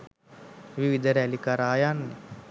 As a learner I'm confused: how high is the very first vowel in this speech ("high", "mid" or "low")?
high